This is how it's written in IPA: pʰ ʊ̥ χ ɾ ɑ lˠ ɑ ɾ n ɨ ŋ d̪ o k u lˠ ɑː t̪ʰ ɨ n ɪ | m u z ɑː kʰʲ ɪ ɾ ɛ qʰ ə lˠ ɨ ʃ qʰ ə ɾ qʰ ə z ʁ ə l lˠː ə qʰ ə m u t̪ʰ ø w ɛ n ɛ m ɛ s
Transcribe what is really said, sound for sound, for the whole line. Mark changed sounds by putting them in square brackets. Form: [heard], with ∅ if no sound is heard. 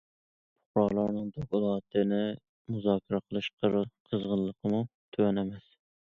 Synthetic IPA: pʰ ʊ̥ χ ɾ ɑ lˠ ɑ ɾ n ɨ ŋ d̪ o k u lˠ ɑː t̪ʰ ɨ n ɪ | m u z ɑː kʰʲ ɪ ɾ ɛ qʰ ə lˠ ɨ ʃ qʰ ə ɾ qʰ ə z ʁ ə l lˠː ə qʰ ə m u t̪ʰ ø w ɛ n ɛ m ɛ s

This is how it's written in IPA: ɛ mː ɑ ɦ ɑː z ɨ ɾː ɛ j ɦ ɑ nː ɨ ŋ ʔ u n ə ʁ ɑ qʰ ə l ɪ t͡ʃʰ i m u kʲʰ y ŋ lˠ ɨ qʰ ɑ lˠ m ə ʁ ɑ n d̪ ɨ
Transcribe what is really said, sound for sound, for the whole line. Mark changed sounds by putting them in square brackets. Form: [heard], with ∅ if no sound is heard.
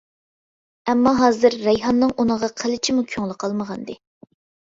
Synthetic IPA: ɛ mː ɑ ɦ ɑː z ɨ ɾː ɛ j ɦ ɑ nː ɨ ŋ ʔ u n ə ʁ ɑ qʰ ə l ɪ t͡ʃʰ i m u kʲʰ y ŋ lˠ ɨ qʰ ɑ lˠ m ə ʁ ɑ n d̪ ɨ

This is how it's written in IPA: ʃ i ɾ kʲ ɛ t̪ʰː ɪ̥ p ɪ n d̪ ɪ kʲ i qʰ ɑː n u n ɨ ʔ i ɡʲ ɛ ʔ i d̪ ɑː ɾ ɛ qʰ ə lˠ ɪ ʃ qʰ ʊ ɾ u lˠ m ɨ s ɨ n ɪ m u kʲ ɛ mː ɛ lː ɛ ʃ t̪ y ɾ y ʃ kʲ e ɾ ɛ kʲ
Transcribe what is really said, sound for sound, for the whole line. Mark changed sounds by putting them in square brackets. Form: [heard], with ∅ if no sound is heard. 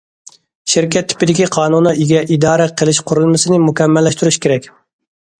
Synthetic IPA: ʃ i ɾ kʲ ɛ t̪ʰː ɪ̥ p ɪ [∅] d̪ ɪ kʲ i qʰ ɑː n u n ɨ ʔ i ɡʲ ɛ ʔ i d̪ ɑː ɾ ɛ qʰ ə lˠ ɪ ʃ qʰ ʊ ɾ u lˠ m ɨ s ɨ n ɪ m u kʲ ɛ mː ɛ lː ɛ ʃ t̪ y ɾ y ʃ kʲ e ɾ ɛ kʲ

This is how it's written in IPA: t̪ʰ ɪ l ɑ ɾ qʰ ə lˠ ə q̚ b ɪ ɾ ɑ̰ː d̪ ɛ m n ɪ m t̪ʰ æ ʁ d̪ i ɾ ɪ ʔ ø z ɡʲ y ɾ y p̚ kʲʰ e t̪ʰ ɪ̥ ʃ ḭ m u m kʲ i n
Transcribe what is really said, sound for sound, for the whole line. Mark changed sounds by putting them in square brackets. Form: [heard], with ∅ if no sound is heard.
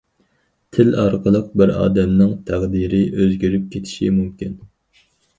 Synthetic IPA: t̪ʰ ɪ l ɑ ɾ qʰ ə lˠ ə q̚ b ɪ ɾ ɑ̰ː d̪ ɛ m n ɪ [ŋ] t̪ʰ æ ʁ d̪ i ɾ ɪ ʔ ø z ɡʲ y ɾ y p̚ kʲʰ e t̪ʰ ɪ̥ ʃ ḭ m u m kʲ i n

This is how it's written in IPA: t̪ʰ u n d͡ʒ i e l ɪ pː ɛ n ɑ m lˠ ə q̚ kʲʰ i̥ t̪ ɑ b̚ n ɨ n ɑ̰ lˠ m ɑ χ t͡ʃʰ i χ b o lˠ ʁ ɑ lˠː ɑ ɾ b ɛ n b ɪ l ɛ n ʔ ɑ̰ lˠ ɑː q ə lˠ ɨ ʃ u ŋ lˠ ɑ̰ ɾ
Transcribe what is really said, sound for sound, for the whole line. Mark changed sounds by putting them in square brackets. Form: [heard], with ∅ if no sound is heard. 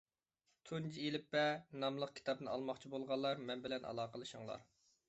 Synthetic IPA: t̪ʰ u n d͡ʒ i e l ɪ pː ɛ n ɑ m lˠ ə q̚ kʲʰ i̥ t̪ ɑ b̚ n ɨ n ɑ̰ lˠ m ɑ χ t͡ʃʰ i [∅] b o lˠ ʁ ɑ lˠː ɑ ɾ [m] ɛ n b ɪ l ɛ n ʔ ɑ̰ lˠ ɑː q ə lˠ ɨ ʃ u ŋ lˠ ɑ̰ ɾ

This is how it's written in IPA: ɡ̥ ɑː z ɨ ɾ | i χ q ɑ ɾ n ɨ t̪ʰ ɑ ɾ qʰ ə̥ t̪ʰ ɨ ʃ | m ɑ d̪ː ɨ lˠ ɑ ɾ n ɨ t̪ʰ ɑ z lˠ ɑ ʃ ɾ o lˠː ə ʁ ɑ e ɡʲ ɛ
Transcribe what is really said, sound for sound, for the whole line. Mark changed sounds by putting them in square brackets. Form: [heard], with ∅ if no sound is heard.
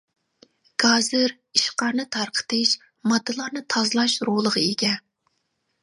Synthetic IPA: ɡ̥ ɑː z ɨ ɾ | i [ʃ] q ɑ ɾ n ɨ t̪ʰ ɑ ɾ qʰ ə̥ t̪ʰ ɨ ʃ | m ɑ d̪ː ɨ lˠ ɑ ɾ n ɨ t̪ʰ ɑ z lˠ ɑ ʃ ɾ o [lˠ] ə ʁ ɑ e ɡʲ ɛ

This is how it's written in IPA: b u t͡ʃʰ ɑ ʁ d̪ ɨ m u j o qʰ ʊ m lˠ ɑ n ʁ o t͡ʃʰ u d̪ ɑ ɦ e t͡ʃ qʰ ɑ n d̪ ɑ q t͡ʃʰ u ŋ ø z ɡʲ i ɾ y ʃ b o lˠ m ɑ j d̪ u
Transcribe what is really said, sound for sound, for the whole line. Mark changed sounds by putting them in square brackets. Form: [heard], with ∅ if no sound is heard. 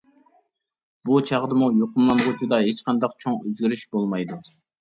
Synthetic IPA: b u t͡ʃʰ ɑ ʁ d̪ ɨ m u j o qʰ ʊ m lˠ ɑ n ʁ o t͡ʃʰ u d̪ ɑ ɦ e t͡ʃ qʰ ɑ n d̪ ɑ q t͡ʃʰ [o] ŋ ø z ɡʲ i ɾ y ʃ b o lˠ m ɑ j d̪ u

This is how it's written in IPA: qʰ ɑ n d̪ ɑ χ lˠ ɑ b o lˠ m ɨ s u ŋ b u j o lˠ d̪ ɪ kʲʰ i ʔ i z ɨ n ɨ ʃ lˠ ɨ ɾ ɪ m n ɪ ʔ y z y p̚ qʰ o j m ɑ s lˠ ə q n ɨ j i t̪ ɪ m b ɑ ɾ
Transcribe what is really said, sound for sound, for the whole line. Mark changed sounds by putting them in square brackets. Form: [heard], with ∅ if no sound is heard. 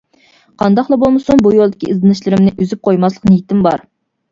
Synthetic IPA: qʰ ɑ n d̪ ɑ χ lˠ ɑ b o lˠ m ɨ s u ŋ b u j o lˠ d̪ ɪ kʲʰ i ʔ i z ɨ n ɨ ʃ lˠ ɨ ɾ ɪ m n ɪ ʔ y z y p̚ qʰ o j m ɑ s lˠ ə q n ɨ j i t̪ ɪ m b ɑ ɾ

